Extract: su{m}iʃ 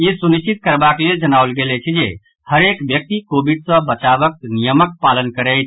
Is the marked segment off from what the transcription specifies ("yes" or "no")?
yes